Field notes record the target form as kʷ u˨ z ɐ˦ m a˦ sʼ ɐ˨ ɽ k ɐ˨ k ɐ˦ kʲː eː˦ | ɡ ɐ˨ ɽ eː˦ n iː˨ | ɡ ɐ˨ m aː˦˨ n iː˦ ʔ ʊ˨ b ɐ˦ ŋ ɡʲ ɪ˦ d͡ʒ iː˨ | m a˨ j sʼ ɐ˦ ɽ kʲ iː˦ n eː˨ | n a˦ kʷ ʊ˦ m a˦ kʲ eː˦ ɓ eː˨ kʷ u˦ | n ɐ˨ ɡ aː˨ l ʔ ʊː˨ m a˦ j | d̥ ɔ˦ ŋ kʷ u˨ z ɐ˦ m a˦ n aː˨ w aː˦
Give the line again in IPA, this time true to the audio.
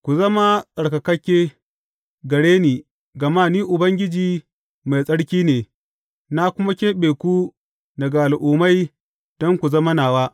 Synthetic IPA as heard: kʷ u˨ z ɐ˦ m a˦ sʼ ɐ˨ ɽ k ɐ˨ k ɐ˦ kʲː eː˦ | ɡ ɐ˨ ɽ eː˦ n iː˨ | ɡ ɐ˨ m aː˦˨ n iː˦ ʔ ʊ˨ b ɐ˦ ŋ ɡʲ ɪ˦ d͡ʒ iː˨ | m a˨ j sʼ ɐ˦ ɽ kʲ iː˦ n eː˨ | n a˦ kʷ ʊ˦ m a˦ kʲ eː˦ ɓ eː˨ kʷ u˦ | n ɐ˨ ɡ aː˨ l ʔ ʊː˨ m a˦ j | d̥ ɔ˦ ŋ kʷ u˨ z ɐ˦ m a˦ n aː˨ w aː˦